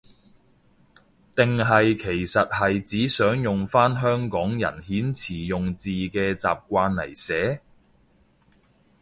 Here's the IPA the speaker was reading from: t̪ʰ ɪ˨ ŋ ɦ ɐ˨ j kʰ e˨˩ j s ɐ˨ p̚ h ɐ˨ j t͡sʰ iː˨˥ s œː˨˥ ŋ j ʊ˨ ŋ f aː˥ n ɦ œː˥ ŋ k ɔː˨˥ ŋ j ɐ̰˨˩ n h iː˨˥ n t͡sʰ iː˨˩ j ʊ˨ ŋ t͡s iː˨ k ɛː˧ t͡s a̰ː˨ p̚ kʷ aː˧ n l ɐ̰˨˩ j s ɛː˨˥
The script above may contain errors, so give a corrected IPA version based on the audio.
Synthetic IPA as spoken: t̪ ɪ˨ ŋ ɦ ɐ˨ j kʰ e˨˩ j s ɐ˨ t̚ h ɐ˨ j t͡s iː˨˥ s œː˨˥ ŋ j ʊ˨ ŋ f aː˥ n ɦ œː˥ ŋ k ɔː˨˥ ŋ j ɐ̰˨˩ n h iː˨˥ n t͡sʰ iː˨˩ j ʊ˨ ŋ t͡s iː˨ k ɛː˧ t͡s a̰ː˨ p̚ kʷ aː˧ n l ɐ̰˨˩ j s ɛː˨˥